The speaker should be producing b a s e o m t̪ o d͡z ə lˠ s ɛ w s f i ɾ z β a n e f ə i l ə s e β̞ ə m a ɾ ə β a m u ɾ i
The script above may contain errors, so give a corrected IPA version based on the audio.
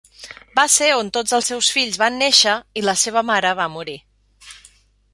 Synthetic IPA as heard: b a s e o n t̪ o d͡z ə lˠ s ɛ w s f i ʎ z β a nː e ʃ ə i l ə s e β̞ ə m a ɾ ə β a m u ɾ i